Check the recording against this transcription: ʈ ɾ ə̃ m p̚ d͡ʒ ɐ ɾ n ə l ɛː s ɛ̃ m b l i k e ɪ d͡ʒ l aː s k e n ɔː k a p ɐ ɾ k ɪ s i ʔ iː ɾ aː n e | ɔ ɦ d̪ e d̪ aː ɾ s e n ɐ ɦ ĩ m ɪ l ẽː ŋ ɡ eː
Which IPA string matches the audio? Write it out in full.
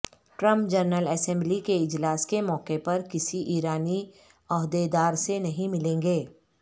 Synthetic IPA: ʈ ɾ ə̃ m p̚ d͡ʒ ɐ ɾ n ə l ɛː s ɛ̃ m b l i k e ɪ d͡ʒ l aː s k e m ɔː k e p ɐ ɾ k ɪ s i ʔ iː ɾ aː n i | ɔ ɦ d̪ e d̪ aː ɾ s e n ɐ ɦ ĩ m ɪ l ẽː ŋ ɡ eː